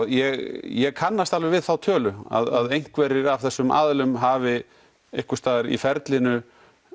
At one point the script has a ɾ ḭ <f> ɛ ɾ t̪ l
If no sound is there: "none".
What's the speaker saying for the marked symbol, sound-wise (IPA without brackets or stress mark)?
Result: f